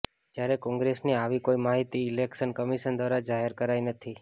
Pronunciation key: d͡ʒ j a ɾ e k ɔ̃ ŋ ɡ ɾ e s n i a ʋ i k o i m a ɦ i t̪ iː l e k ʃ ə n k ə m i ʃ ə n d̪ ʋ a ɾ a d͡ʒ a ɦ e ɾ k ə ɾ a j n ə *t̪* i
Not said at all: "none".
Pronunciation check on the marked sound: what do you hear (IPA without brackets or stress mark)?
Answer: t̪ʰ